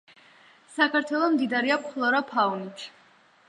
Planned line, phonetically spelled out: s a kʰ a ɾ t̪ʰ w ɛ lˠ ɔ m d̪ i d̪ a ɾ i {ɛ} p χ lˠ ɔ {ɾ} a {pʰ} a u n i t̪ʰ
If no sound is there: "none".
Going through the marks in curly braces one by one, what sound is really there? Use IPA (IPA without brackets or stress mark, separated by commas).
a, ɾ, pʰ